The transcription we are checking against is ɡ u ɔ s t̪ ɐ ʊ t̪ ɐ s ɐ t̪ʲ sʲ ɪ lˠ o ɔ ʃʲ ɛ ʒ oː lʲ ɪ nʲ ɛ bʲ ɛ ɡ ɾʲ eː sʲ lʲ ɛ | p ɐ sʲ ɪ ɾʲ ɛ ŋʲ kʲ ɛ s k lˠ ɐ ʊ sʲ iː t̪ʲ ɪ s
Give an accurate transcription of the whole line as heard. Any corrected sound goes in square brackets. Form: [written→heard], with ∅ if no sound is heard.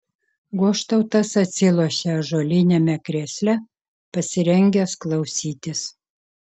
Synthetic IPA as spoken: ɡ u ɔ [s→ʃ] t̪ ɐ ʊ t̪ ɐ s ɐ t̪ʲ sʲ ɪ lˠ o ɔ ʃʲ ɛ ʒ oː lʲ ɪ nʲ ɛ [bʲ→mʲ] ɛ [ɡ→k] ɾʲ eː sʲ lʲ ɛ | p ɐ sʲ ɪ ɾʲ ɛ ŋʲ [kʲ→ɡʲ] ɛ s k lˠ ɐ ʊ sʲ iː t̪ʲ ɪ s